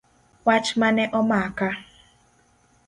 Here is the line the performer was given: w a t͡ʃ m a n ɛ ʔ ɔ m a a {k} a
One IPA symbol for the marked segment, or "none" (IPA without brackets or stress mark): k